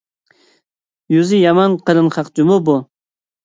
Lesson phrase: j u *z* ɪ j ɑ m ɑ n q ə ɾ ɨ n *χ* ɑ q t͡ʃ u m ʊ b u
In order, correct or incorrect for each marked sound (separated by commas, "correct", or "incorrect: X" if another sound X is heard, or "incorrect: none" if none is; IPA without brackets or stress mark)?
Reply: correct, correct